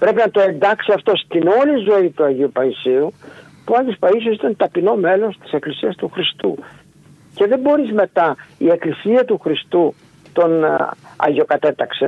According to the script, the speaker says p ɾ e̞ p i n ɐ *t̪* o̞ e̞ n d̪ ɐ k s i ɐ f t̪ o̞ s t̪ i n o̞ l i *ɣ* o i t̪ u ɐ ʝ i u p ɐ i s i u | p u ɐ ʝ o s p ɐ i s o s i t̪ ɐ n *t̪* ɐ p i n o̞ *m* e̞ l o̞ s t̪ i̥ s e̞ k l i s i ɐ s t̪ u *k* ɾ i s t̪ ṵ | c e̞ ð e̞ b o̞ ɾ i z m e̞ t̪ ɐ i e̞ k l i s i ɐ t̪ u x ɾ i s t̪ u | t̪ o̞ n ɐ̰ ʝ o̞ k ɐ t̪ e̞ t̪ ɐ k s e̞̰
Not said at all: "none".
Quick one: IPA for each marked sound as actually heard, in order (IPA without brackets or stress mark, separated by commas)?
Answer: t̪, z, t̪, m, x